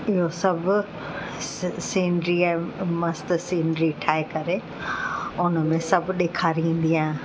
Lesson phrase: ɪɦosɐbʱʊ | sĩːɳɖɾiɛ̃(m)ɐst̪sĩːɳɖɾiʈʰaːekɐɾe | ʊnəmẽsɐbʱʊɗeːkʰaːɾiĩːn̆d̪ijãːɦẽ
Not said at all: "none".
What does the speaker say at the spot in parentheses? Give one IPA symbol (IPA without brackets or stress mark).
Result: m